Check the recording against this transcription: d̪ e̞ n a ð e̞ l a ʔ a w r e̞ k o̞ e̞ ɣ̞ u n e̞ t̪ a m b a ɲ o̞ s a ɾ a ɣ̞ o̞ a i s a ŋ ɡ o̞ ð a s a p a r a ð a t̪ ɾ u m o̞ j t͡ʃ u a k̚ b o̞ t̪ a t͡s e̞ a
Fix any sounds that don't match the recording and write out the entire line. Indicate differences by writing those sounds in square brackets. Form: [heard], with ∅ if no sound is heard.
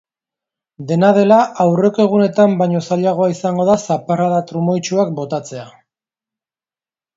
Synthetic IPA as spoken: d̪ e̞ n a ð e̞ l a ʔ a w r e̞ k o̞ e̞ ɣ̞ u n e̞ t̪ a m b a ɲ o̞ s a [ʎ] a ɣ̞ o̞ a i s a ŋ ɡ o̞ ð a s a p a r a ð a t̪ ɾ u m o̞ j t͡ʃ u a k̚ b o̞ t̪ a t͡s e̞ a